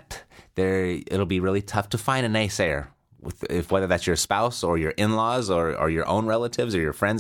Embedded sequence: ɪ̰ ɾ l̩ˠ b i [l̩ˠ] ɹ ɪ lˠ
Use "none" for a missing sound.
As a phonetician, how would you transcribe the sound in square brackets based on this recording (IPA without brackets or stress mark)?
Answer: none